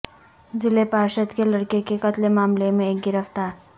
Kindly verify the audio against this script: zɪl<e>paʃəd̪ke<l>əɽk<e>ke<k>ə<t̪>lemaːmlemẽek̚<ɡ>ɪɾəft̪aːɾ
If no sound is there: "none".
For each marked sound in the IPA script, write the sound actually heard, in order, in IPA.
e, l, e, k, t̪, ɡ

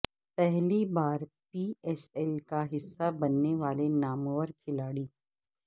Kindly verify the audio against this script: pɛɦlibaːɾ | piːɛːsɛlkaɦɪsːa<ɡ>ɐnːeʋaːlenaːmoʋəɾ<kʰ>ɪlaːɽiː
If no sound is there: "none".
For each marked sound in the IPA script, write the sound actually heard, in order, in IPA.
b, kʰ

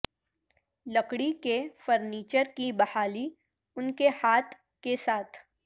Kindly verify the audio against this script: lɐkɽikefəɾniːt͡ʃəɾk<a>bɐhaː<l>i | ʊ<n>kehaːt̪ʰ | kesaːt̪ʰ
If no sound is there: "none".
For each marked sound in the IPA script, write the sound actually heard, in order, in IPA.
i, l, n

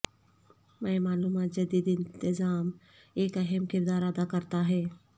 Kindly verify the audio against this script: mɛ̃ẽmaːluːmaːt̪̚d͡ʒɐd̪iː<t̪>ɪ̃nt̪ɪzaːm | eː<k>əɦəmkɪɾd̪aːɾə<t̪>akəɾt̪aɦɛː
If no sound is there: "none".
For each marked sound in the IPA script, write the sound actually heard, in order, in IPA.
d̪, k, d̪

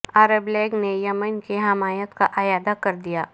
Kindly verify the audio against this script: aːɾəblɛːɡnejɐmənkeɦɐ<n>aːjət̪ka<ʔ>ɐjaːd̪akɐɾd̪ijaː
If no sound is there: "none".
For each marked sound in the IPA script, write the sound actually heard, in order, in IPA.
m, ʔ

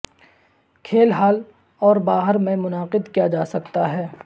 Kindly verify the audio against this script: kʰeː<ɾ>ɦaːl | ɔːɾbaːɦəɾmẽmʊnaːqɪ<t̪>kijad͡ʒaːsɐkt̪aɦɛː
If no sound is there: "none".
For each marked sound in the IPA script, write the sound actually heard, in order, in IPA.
l, d̪

